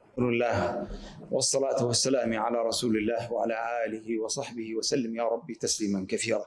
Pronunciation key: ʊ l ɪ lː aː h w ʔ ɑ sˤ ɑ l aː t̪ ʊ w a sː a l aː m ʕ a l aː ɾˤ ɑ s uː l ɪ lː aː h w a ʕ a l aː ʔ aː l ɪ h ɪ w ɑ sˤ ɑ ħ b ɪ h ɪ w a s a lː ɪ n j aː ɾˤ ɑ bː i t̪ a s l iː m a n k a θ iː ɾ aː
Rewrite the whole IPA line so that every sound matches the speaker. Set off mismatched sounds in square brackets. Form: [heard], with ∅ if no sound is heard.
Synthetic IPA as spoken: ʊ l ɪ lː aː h w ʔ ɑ [sˤː] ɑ l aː t̪ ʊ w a sː a l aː m ʕ a l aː ɾˤ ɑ s uː l ɪ lː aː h w a ʕ a l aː ʔ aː l ɪ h ɪ w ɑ sˤ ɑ ħ b ɪ h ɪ w a s a lː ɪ [m] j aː ɾˤ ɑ bː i t̪ a s l iː m a n k a θ iː ɾ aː